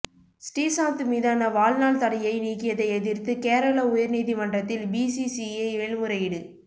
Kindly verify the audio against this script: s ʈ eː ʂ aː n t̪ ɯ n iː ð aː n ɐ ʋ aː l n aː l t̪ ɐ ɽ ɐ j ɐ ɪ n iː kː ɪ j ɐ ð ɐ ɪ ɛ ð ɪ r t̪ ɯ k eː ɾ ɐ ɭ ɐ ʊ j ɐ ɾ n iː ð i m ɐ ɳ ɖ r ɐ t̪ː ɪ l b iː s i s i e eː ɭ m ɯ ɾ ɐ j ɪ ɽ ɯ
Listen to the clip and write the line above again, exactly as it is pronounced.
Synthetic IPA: s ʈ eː s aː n t̪ ɯ m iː ð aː n ɐ ʋ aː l n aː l t̪ ɐ ɽ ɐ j ɐ ɪ n iː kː ɪ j ɐ ð ɐ ɪ ɛ ð ɪ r t̪ ɯ k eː ɾ ɐ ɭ ɐ ʊ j ɐ ɾ n iː ð i m ɐ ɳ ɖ r ɐ t̪ː ɪ l b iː s i s i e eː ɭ m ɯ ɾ ɐ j ɪ ɽ ɯ

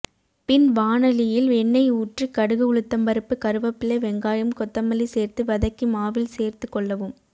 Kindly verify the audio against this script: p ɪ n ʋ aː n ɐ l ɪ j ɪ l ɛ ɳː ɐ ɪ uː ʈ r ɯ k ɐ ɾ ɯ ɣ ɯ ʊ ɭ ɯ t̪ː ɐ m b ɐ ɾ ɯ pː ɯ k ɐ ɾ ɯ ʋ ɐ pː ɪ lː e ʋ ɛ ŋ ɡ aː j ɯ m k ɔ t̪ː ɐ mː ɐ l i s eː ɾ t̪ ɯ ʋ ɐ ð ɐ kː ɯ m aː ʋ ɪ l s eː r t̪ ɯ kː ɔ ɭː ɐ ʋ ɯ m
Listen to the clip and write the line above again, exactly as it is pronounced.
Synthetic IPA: p ɪ n ʋ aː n ɐ l ɪ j ɪ l ɛ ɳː ɐ ɪ uː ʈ r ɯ k ɐ ɽ ɯ ɣ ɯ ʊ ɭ ɯ t̪ː ɐ m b ɐ ɾ ɯ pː ɯ k ɐ ɾ ɯ ʋ ɐ pː ɪ l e ʋ ɛ ŋ ɡ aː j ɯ m k ɔ t̪ː ɐ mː ɐ l i s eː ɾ t̪ ɯ ʋ ɐ ð ɐ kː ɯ m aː ʋ ɪ l s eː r t̪ ɯ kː ɔ ɭː ɐ ʋ ɯ m

